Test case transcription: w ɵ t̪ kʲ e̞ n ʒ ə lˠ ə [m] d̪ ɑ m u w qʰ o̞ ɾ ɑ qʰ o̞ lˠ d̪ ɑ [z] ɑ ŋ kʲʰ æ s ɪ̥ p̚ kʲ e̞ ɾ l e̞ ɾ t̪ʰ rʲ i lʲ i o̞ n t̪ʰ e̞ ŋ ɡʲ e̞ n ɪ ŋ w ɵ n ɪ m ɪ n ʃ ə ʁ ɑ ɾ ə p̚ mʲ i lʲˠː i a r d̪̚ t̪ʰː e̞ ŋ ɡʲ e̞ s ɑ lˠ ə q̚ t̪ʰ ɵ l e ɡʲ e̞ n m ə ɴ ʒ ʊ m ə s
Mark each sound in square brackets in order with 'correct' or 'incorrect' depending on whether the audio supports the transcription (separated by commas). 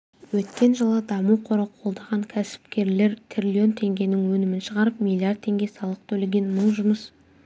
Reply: incorrect, incorrect